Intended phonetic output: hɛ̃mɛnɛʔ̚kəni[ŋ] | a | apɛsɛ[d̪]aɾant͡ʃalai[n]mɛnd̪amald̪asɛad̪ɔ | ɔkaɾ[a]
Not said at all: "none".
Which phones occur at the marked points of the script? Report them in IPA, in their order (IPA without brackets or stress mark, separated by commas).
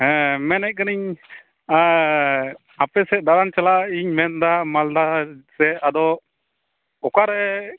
ɲ, d̪, ɲ, ɛ